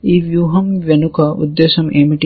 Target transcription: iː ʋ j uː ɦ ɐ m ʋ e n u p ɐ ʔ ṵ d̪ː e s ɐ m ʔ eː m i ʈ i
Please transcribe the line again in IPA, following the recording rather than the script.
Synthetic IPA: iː ʋ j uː ɦ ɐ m ʋ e n u k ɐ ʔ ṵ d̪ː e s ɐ m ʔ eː m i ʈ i